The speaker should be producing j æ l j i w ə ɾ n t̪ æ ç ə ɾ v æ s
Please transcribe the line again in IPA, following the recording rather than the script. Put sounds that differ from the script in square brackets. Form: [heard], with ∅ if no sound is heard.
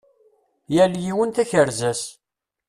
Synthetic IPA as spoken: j æ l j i w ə [∅] n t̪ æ ç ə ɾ [z] æ s